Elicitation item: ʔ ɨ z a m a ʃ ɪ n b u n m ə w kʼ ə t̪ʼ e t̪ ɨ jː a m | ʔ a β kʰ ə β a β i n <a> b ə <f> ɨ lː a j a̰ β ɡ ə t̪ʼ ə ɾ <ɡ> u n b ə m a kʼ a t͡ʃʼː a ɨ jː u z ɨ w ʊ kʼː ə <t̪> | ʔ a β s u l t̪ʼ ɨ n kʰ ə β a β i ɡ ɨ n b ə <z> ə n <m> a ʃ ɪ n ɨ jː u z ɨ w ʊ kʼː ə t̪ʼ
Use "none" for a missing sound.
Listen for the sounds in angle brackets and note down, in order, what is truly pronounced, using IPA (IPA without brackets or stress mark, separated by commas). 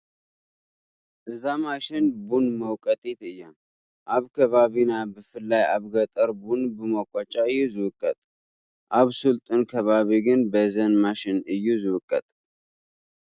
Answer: a, f, b, t̪ʼ, z, m